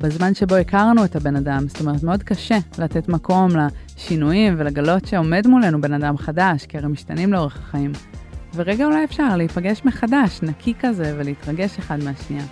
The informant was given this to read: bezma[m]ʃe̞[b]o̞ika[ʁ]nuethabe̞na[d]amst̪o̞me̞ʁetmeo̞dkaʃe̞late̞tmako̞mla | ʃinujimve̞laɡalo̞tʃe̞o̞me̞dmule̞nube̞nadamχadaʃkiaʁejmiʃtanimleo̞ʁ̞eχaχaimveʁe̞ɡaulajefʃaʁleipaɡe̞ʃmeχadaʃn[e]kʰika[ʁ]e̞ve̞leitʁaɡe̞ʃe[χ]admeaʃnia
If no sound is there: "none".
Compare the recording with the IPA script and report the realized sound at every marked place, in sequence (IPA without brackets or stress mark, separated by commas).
n, b, ʁ, d, a, z, χ